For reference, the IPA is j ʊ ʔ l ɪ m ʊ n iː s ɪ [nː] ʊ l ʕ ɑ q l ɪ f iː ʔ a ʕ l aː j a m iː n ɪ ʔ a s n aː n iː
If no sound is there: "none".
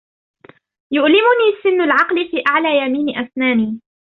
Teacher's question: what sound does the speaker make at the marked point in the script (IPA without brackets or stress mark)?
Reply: nː